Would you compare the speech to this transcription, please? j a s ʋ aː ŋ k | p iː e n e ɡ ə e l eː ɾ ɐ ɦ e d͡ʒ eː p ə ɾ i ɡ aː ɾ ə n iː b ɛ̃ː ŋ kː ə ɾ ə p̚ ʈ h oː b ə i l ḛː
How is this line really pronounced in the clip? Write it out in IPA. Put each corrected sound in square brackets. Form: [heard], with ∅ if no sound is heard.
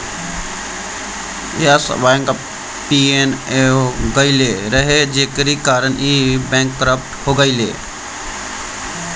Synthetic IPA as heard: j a s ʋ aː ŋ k | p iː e n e ɡ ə [i] l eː ɾ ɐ ɦ e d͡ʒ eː [k] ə ɾ i [k] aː ɾ ə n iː b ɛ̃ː ŋ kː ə ɾ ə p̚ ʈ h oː [ɡ] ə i l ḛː